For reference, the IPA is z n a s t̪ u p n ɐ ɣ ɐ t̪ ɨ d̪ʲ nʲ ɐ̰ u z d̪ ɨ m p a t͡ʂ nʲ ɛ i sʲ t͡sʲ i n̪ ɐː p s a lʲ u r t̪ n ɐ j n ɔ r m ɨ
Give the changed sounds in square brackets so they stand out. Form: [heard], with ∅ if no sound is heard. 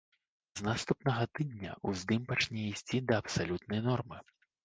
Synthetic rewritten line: z n a s t̪ u p n ɐ ɣ ɐ t̪ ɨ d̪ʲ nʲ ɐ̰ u z d̪ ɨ m p a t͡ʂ nʲ ɛ i sʲ t͡sʲ i [d̪] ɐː p s a lʲ u [∅] t̪ n ɐ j n ɔ r m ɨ